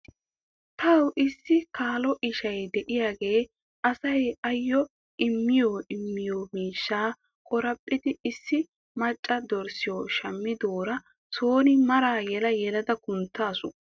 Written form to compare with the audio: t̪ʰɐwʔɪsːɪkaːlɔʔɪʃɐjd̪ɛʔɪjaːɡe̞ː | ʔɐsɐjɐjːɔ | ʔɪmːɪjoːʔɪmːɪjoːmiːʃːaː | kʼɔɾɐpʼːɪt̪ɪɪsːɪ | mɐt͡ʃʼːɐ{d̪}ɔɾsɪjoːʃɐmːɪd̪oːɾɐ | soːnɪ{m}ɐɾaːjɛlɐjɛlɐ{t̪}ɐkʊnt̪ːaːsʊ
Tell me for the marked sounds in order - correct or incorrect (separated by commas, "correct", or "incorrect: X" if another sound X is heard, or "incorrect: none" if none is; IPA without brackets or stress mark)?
correct, correct, incorrect: d̪